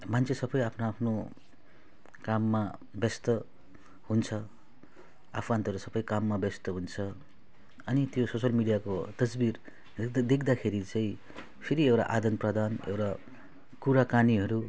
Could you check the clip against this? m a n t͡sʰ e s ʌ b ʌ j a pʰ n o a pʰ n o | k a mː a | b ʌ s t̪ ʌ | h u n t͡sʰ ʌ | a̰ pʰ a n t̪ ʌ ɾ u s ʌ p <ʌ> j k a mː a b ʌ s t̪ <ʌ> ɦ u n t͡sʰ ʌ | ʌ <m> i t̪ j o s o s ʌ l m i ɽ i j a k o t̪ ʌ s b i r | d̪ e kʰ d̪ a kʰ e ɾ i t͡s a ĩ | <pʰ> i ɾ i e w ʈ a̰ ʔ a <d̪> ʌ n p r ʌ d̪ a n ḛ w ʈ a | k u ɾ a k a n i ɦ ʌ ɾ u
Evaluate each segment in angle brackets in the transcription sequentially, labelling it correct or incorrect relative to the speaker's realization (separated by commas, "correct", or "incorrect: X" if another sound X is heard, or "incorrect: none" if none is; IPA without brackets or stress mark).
correct, correct, incorrect: n, correct, correct